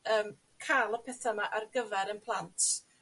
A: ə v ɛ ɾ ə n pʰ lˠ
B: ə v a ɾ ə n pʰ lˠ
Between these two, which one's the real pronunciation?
A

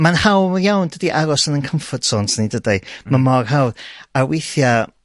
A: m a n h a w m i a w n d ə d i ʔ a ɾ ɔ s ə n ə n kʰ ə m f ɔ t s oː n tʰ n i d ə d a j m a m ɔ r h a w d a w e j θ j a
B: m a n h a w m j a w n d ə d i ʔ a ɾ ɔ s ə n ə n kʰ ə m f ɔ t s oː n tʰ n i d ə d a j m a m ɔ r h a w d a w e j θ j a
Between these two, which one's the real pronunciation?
B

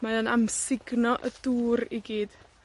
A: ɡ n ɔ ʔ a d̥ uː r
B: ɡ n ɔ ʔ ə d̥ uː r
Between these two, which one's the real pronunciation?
B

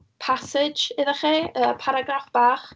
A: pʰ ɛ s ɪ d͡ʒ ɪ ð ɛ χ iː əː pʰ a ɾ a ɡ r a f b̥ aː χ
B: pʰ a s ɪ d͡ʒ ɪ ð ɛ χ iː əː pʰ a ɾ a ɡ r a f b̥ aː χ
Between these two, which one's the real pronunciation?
B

